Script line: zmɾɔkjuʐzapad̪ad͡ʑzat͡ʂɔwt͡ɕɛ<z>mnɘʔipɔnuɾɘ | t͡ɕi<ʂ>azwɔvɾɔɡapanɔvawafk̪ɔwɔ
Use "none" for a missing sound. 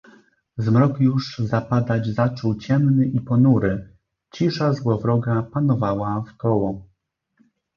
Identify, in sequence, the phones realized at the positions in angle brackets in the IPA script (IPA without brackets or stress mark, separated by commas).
none, ʂ